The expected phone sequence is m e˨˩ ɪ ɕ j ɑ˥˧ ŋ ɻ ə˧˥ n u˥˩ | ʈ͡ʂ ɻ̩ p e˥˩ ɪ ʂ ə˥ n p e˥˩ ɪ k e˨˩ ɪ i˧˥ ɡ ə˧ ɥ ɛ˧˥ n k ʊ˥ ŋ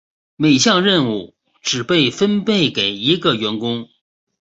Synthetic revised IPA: m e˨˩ ɪ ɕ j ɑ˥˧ ŋ ɻ ə˥˧ n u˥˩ | ʈ͡ʂ ɻ̩ p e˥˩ ɪ f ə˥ n p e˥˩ ɪ k e˨˩ ɪ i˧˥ ɡ ə˧ ɥ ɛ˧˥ n k ʊ˥ ŋ